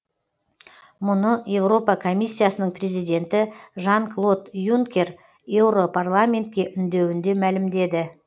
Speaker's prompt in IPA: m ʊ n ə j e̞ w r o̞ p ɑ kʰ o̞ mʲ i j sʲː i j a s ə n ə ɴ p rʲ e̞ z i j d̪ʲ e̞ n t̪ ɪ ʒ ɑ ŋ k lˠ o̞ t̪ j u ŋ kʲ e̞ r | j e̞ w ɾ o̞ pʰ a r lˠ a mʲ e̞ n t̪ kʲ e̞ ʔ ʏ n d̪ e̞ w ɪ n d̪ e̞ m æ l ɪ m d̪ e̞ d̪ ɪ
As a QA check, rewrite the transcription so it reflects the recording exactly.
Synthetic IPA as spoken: m ʊ n ə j e̞ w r o̞ p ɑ kʰ o̞ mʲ i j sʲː i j a s ə n ə ɴ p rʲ e̞ z i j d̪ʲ e̞ n t̪ ɪ ʒ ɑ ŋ k lˠ o̞ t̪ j u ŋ kʲ e̞ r | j e̞ w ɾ o̞ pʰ a r lˠ a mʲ e̞ n t̪ kʲ e̞ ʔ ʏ n d̪ e̞ w ɪ n d̪ e̞ m æ l ɪ m d̪ e̞ d̪ ɪ